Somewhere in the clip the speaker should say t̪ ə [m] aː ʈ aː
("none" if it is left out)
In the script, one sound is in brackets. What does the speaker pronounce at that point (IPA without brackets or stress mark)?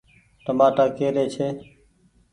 m